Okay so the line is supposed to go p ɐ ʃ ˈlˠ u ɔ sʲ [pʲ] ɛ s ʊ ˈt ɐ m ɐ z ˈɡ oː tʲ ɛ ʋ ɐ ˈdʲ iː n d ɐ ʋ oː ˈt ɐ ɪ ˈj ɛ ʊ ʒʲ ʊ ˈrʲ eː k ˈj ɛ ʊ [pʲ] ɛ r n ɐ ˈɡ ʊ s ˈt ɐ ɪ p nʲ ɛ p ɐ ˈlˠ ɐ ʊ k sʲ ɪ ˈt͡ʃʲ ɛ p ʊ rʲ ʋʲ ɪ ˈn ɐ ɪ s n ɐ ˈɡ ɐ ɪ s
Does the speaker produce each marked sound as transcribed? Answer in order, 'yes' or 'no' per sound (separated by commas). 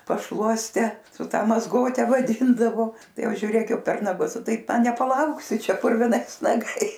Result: no, yes